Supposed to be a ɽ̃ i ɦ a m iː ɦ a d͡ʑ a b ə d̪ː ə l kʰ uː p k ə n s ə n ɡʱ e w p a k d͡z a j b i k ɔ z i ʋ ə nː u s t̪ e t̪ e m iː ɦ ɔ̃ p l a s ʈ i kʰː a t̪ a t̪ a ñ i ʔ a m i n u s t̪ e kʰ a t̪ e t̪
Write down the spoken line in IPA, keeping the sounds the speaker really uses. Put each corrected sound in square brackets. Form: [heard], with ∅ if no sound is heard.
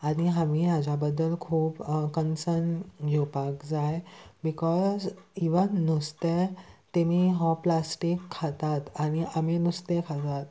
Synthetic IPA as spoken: a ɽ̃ i ɦ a m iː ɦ a d͡ʑ a b ə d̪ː ə l kʰ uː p k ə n s ə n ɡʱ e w p a k d͡z a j b i k ɔ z i ʋ ə nː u s t̪ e t̪ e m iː ɦ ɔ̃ p l a s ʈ i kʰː a t̪ a t̪ a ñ i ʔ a m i n u s t̪ e kʰ a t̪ [a] t̪

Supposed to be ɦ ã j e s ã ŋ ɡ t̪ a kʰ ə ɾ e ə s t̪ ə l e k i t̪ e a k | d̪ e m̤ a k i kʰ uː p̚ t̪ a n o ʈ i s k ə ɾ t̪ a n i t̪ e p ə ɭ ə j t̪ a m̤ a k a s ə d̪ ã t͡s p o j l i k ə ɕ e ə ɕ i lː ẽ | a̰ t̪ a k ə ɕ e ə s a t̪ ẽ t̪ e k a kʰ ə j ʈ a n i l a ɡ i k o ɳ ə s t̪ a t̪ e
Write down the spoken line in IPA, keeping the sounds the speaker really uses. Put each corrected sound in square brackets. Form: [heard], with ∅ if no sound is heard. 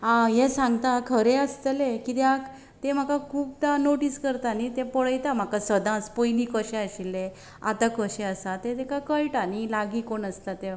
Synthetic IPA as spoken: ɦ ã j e s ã ŋ ɡ t̪ a kʰ ə ɾ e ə s t̪ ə l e k i t̪ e a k | [t̪] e m̤ a k [a] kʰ uː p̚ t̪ a n o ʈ i s k ə ɾ t̪ a n i t̪ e p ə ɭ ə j t̪ a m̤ a k a s ə d̪ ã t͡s p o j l i k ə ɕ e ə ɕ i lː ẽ | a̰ t̪ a k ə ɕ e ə s a t̪ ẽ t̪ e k a [k] ə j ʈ a n i l a ɡ i k o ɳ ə s t̪ a t̪ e

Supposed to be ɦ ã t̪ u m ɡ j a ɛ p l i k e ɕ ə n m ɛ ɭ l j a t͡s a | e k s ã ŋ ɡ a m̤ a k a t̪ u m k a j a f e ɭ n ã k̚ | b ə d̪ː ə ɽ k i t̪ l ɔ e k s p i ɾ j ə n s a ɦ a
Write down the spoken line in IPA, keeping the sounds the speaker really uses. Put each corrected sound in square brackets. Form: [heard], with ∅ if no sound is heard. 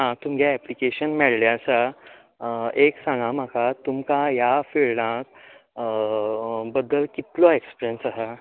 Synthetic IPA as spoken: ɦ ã t̪ u m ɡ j a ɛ p l i k e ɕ ə n m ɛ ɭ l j a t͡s a | e k s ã ŋ ɡ a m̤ a k a t̪ u m k a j a f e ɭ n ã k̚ | b ə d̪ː ə [l] k i t̪ l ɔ e k s p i ɾ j ə n s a ɦ a

